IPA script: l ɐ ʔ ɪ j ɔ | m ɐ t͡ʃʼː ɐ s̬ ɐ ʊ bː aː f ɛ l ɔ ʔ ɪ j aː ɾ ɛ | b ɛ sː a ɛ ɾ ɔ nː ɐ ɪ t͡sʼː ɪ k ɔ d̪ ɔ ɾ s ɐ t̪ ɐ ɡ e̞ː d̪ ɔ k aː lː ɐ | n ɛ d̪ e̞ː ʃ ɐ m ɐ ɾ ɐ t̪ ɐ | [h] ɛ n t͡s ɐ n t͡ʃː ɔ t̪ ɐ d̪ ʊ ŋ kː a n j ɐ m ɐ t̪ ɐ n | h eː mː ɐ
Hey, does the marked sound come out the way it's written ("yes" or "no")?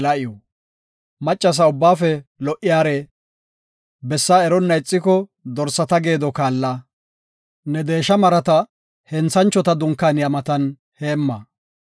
yes